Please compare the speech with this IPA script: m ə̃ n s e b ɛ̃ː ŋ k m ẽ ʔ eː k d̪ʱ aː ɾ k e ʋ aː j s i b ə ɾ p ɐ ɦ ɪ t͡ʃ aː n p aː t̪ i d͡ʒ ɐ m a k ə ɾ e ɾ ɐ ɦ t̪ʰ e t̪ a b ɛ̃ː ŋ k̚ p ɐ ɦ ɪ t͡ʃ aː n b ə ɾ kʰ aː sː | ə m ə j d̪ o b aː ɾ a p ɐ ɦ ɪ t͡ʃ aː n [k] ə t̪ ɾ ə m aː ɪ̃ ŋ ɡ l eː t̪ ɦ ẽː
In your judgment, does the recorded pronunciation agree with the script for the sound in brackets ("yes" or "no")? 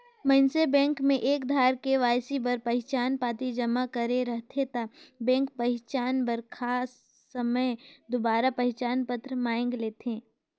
no